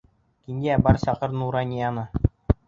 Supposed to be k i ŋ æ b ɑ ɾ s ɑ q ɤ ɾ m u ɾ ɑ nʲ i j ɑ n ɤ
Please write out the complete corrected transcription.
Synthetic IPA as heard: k i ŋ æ b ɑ ɾ s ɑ q ɤ ɾ n u ɾ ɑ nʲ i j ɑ n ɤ